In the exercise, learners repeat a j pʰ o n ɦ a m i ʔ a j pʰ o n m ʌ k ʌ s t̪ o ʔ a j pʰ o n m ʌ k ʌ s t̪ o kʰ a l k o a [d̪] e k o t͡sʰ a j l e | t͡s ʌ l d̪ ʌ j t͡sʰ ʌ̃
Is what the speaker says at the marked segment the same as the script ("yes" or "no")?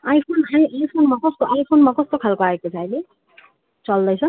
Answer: no